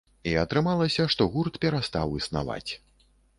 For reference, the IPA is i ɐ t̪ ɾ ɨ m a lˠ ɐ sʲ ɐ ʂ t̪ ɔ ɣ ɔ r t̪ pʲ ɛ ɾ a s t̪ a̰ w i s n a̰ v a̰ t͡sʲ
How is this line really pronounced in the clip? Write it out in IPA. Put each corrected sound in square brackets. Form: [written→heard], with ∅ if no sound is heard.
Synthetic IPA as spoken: i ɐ t̪ ɾ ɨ m a lˠ ɐ sʲ ɐ ʂ t̪ ɔ ɣ [ɔ→u] r t̪ pʲ ɛ ɾ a s t̪ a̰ w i s n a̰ v a̰ t͡sʲ